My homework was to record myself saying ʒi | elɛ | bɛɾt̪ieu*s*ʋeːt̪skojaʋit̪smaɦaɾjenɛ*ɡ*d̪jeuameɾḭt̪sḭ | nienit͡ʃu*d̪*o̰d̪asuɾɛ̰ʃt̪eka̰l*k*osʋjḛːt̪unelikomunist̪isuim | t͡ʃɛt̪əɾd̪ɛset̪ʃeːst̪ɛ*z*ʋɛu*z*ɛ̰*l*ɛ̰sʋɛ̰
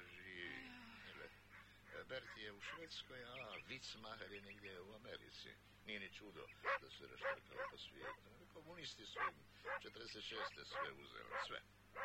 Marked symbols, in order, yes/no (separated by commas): no, yes, yes, no, no, yes, yes